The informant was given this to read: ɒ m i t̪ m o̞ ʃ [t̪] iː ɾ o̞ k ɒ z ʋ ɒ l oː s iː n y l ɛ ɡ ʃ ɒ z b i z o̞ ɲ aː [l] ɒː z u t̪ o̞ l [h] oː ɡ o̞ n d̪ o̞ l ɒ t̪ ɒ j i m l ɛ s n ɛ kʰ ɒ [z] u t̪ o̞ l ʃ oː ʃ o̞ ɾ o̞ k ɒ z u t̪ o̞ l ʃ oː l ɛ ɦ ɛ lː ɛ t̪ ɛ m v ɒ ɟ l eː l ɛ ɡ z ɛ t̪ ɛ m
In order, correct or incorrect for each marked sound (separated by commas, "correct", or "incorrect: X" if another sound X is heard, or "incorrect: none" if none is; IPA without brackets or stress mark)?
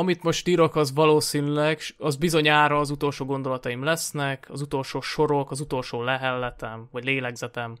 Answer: correct, incorrect: ɾ, incorrect: ʃ, correct